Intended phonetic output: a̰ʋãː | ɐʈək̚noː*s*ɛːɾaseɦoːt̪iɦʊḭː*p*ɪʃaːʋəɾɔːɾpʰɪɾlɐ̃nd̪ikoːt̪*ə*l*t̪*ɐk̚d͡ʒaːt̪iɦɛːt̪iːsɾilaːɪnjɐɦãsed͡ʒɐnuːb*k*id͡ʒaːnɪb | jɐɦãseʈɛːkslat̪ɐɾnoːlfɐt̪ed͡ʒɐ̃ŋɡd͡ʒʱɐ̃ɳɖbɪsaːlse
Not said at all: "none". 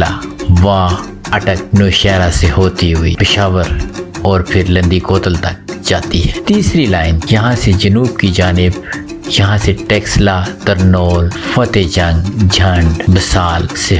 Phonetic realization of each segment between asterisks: ʃ, p, ə, t̪, k

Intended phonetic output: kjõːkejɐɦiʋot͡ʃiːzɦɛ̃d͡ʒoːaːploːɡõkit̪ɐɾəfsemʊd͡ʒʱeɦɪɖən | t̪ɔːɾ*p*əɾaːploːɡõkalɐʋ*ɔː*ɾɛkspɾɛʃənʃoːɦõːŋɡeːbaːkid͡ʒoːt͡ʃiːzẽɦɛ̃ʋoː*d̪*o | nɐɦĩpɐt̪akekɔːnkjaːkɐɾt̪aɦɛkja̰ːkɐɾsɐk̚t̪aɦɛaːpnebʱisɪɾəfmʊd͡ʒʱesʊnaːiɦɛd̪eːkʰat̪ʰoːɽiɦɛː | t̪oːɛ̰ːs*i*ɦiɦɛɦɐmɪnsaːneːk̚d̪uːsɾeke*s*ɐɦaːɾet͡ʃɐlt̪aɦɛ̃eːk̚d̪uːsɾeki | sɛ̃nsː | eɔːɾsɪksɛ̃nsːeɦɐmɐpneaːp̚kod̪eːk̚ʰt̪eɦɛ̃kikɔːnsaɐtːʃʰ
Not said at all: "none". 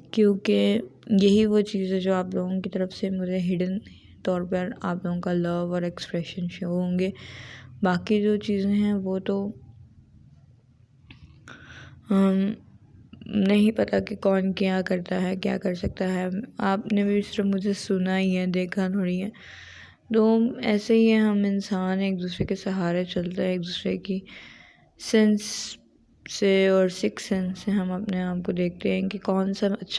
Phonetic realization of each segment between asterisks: p, ɔː, t̪, e, s

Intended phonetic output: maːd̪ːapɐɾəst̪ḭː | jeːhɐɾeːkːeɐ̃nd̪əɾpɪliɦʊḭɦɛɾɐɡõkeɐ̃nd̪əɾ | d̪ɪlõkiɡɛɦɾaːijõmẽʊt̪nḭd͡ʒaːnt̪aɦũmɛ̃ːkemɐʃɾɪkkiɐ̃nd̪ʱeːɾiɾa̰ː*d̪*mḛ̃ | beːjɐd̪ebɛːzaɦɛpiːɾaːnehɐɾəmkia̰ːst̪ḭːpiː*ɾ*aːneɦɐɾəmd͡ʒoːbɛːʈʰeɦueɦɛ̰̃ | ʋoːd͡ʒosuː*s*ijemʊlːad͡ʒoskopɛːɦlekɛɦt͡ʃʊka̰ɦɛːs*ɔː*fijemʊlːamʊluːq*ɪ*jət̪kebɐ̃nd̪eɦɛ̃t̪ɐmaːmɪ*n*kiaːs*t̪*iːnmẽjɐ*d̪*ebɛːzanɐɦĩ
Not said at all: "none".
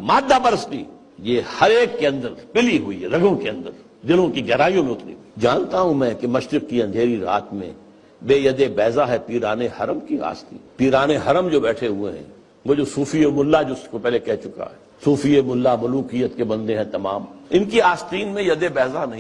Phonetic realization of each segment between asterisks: t̪, ɾ, f, uː, i, n, t̪, d̪

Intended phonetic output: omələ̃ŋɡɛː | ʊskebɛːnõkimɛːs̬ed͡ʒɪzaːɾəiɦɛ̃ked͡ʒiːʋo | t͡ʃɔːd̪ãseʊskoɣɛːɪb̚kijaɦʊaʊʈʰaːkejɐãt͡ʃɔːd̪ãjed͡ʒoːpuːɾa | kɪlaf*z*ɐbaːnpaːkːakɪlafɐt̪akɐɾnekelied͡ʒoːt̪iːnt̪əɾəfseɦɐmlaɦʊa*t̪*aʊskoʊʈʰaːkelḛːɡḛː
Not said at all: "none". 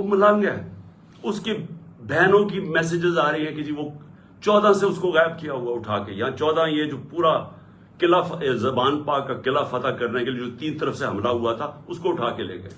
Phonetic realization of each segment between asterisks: z, t̪ʰ

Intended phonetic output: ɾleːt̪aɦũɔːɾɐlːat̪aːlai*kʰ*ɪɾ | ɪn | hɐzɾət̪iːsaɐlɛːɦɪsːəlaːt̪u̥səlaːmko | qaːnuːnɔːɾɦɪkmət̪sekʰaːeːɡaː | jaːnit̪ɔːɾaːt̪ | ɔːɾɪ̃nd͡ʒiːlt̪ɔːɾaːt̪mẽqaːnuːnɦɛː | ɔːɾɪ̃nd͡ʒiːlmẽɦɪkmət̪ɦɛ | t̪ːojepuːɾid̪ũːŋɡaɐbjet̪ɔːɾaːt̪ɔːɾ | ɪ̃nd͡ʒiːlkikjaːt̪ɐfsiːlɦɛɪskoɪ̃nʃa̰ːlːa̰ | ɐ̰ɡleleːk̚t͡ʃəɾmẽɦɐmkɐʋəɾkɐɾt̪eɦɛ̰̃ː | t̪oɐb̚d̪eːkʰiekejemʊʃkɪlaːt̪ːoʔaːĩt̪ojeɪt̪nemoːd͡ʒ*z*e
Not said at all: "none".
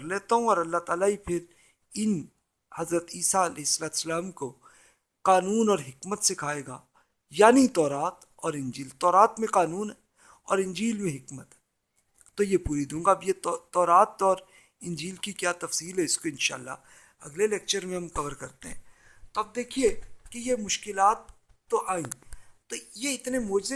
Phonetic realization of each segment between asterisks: pʰ, z

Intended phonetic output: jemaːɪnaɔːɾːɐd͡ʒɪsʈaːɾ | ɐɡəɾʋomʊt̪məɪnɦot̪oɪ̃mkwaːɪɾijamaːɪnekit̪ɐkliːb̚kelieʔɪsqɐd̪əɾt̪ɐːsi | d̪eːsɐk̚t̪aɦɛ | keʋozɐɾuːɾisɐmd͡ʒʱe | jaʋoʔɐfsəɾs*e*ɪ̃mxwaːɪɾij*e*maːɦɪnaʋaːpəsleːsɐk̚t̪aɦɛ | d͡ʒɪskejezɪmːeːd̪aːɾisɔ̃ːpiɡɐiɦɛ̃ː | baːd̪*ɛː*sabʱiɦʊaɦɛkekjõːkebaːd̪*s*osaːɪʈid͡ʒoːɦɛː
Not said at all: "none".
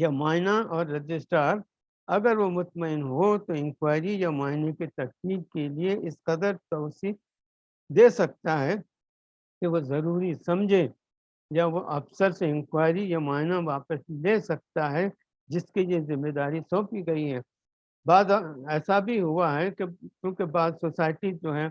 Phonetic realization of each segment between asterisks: e, a, ɛː, s

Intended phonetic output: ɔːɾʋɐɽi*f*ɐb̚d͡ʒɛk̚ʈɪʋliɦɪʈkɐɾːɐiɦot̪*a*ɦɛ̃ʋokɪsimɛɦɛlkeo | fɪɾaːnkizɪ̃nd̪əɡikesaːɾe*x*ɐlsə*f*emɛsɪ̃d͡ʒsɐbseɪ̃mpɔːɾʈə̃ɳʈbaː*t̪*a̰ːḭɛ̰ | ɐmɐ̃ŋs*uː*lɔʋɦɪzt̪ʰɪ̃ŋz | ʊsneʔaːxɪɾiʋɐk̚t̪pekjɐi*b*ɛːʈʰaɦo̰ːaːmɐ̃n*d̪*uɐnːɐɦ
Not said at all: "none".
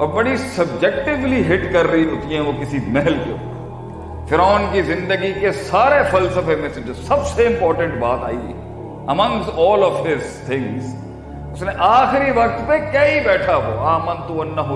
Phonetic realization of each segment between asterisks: s, i, f, f, t̪, ɔː, b, t̪

